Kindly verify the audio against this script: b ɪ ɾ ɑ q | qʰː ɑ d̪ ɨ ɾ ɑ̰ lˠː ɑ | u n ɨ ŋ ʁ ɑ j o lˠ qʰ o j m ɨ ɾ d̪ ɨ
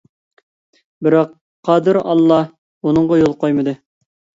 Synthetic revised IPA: b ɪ ɾ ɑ q | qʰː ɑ d̪ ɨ ɾ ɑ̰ lˠː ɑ | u n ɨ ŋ ʁ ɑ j o lˠ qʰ o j m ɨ d̪ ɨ